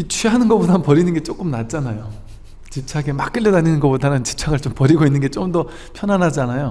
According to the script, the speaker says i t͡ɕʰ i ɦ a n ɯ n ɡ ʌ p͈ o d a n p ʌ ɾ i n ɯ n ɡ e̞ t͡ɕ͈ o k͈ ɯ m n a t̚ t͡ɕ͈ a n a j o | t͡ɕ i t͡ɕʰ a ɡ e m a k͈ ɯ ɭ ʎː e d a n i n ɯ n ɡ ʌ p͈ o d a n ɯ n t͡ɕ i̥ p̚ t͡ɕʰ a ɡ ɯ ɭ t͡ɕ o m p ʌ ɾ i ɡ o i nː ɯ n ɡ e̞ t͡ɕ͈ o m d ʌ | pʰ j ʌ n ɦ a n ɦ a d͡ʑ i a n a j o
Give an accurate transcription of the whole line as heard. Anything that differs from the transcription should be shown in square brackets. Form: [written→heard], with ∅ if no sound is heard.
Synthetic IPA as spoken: i t͡ɕʰ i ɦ a n ɯ n ɡ ʌ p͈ o d a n p ʌ ɾ i n ɯ n ɡ e̞ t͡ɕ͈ o k͈ ɯ m n a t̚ t͡ɕ͈ a n a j o | t͡ɕ i t͡ɕʰ a ɡ e m a k͈ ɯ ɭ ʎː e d a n i n ɯ n ɡ ʌ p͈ o d a n ɯ n t͡ɕ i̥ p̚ t͡ɕʰ a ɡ ɯ ɭ t͡ɕ o m p ʌ ɾ i ɡ o i nː ɯ n ɡ e̞ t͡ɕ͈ o m d ʌ | pʰ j ʌ n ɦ a n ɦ a d͡ʑ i a n a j o